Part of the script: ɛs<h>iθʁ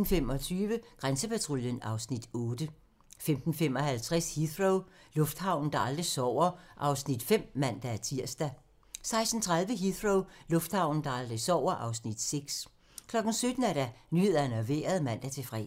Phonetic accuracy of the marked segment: correct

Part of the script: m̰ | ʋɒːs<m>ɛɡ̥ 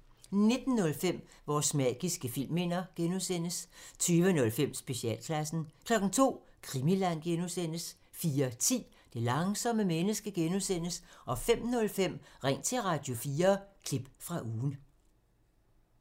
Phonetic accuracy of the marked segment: correct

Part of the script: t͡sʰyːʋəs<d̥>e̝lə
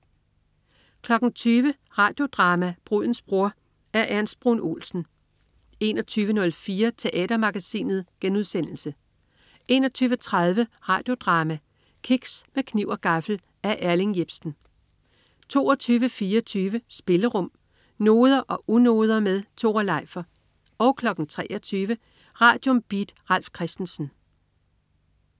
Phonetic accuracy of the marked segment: incorrect: b̥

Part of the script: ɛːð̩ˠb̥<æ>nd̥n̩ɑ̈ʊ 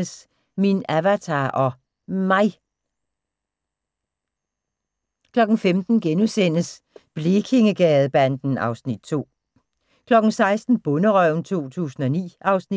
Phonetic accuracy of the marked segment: correct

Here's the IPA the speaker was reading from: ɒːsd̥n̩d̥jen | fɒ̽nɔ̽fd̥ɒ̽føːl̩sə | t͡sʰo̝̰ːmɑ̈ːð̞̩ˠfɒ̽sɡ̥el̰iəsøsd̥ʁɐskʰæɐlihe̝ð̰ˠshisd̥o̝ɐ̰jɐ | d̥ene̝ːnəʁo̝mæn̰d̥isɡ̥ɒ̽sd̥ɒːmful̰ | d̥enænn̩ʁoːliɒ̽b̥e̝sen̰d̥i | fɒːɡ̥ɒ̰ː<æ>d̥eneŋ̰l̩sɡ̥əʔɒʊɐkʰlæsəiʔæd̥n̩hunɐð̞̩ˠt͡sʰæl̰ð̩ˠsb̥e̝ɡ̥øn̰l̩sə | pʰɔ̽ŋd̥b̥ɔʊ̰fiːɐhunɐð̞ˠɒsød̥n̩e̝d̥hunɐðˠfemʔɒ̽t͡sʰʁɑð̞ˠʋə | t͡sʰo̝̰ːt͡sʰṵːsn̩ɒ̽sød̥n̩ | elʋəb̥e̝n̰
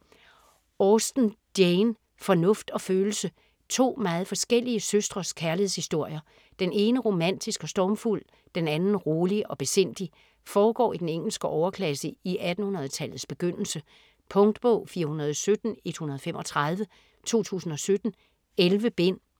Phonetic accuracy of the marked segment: incorrect: i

